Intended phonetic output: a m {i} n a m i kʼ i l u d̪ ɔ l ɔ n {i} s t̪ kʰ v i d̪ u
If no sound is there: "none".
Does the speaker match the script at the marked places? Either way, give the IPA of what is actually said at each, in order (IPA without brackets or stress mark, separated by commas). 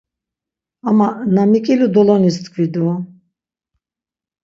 a, i